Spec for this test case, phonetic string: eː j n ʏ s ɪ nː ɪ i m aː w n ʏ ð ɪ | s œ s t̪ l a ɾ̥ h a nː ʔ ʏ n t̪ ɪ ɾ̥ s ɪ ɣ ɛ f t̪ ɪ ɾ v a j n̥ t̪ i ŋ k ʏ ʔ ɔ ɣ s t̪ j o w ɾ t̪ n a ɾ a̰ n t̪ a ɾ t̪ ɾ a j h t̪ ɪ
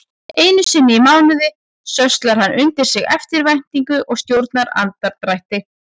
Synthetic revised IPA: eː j n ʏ s ɪ nː ɪ i m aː w n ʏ ð ɪ | s œ s t̪ l a ɾ̥ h a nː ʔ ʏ n t̪ ɪ ɾ̥ s ɪ ɣ ɛ f t̪ ɪ ɾ v a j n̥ t̪ i ŋ k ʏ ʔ ɔ ɣ s t̪ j o w ɾ t̪ n a ɾ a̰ n t̪ a ɾ t̪ ɾ a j h t̪ ɪ